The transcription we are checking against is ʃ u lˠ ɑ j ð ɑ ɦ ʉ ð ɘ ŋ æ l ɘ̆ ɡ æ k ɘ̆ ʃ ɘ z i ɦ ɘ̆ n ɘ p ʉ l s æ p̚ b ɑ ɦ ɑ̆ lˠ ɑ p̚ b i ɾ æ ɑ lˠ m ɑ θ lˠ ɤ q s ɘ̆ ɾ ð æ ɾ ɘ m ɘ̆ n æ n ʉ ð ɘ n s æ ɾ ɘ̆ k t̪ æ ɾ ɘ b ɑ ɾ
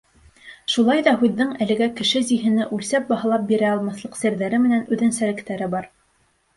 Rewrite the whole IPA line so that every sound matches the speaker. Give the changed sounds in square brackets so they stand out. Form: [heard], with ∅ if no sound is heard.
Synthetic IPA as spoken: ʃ u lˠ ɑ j ð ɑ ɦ ʉ [ðː] ɘ ŋ æ l ɘ̆ ɡ æ k ɘ̆ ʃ ɘ z i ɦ ɘ̆ n ɘ [ʔ] ʉ l s æ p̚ b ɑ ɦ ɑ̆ lˠ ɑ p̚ b i ɾ æ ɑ lˠ m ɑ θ lˠ ɤ q s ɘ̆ ɾ ð æ ɾ ɘ m ɘ̆ n æ n ʉ ð ɘ n s æ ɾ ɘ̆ k t̪ æ ɾ ɘ b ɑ ɾ